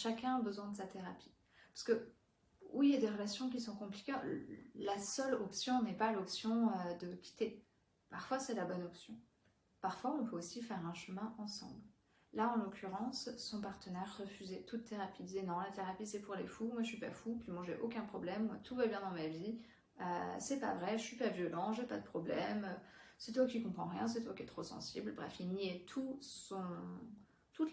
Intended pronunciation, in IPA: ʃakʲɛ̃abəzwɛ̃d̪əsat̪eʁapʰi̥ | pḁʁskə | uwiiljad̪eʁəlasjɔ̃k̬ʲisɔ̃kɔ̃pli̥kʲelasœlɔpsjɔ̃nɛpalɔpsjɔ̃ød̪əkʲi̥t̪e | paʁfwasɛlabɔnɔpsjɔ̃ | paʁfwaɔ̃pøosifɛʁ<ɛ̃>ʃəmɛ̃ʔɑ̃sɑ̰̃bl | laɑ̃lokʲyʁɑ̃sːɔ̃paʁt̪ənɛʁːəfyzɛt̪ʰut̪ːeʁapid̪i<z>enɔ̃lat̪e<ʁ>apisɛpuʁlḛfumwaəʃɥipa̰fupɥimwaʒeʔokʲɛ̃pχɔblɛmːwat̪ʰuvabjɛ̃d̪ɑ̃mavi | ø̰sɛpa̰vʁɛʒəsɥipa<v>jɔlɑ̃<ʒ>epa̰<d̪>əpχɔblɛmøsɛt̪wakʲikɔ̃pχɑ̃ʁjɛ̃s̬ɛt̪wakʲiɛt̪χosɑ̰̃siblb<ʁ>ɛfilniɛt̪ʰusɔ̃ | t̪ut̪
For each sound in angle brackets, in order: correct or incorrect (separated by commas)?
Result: correct, correct, correct, correct, correct, correct, correct